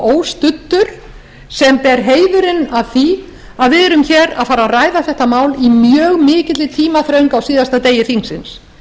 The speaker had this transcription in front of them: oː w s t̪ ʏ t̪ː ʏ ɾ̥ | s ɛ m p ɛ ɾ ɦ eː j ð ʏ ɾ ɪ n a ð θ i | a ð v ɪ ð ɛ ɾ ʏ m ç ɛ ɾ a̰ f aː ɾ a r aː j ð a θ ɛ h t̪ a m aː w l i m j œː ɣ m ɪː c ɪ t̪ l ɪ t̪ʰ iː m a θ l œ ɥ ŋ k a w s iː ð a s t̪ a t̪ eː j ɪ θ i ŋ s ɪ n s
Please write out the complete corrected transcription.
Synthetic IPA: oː w s t̪ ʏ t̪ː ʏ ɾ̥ | s ɛ m p ɛ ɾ ɦ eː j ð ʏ ɾ ɪ n a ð θ i | a ð v ɪ ð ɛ ɾ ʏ m ç ɛ ɾ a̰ f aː ɾ a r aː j ð a θ ɛ h t̪ a m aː w l i m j œː ɣ m ɪː c ɪ t̪ l ɪ t̪ʰ iː m a θ ɾ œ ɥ ŋ k a w s iː ð a s t̪ a t̪ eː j ɪ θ i ŋ s ɪ n s